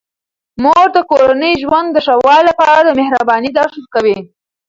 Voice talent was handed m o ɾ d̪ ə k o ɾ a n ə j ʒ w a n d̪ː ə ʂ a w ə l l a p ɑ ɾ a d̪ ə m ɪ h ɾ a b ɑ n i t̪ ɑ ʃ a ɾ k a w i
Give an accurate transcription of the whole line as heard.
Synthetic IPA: m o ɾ d̪ ə k o ɾ a n ə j ʒ w a n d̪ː ə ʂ a w ɑ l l a p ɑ ɾ a d̪ ə m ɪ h ɾ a b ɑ n i d̪ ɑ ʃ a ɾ k a w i